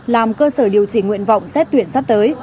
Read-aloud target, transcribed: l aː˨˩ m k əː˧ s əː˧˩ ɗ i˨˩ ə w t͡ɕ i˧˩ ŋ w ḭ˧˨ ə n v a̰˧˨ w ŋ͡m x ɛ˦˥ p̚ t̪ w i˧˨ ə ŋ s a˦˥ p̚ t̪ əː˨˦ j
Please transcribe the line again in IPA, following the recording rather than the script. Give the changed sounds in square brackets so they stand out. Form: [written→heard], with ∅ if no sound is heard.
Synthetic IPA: l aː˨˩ m k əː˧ s əː˧˩ ɗ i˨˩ ə w t͡ɕ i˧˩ ŋ w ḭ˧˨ ə n v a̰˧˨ w ŋ͡m [x→s] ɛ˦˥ [p̚→t̚] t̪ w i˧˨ ə [ŋ→n] s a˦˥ p̚ t̪ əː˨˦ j

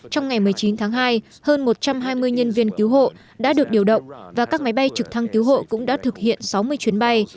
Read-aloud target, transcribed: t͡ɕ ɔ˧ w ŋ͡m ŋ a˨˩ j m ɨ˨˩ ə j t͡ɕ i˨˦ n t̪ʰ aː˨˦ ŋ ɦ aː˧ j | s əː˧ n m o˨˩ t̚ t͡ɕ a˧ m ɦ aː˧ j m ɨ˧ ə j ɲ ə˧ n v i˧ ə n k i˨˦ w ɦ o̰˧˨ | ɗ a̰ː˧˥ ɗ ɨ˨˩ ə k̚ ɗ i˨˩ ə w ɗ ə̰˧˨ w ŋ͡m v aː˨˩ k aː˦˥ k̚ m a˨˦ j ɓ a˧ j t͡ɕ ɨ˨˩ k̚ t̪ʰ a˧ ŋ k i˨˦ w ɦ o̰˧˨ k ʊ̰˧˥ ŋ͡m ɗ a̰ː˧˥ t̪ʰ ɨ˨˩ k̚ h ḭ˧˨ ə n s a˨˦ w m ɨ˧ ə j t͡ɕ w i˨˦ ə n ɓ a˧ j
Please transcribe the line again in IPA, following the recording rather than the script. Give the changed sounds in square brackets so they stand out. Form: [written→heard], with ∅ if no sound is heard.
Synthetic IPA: t͡ɕ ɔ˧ w ŋ͡m ŋ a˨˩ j m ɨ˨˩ ə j t͡ɕ i˨˦ n t̪ʰ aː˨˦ ŋ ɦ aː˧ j | [s→h] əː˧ n m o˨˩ t̚ t͡ɕ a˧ m ɦ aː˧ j m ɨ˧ ə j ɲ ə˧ n v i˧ ə n k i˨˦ w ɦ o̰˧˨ | ɗ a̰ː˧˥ ɗ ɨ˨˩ ə k̚ ɗ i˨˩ ə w ɗ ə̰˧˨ w ŋ͡m v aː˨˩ k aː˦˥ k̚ m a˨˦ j ɓ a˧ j t͡ɕ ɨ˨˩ k̚ t̪ʰ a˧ ŋ k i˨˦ w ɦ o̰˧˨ k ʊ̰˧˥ ŋ͡m ɗ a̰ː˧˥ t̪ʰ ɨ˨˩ k̚ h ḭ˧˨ ə n s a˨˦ w m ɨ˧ ə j t͡ɕ w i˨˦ ə n ɓ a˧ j

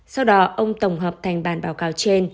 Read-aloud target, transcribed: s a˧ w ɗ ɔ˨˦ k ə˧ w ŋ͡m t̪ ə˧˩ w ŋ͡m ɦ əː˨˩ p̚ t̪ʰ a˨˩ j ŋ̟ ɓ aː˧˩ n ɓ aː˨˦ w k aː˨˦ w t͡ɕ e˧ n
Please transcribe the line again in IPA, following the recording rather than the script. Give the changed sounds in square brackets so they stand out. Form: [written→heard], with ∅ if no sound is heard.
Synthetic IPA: s a˧ w ɗ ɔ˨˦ [k→ʔ] ə˧ w ŋ͡m t̪ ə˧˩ w ŋ͡m ɦ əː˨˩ p̚ t̪ʰ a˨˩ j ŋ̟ ɓ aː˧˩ n ɓ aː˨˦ w k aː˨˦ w t͡ɕ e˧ n

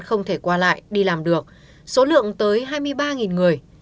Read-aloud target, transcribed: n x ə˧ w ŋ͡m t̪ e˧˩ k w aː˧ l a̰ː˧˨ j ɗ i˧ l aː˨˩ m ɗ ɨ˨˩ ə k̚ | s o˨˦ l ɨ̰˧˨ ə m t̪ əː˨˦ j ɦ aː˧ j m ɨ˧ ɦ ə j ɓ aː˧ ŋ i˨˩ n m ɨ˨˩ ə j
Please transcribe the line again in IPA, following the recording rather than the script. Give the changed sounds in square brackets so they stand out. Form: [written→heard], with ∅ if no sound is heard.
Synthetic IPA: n x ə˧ w ŋ͡m [t̪→t̪ʰ] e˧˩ k w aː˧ l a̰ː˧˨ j ɗ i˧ l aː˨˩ m ɗ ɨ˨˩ ə k̚ | s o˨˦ l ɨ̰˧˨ ə [m→ŋ] t̪ əː˨˦ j ɦ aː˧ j m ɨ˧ [ɦ→∅] ə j ɓ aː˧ ŋ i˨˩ n [m→ŋ] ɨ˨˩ ə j

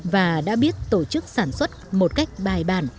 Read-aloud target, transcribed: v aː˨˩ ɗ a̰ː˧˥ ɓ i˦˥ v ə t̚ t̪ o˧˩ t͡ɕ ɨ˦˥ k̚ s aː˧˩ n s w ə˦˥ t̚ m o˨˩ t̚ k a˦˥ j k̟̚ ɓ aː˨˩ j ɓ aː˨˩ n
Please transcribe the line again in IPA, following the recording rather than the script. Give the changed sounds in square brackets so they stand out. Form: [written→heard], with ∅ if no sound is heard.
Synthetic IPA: v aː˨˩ ɗ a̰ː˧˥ ɓ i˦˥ [v→∅] ə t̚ t̪ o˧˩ t͡ɕ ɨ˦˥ k̚ s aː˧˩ n s w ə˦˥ t̚ m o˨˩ t̚ k a˦˥ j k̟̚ ɓ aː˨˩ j ɓ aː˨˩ n

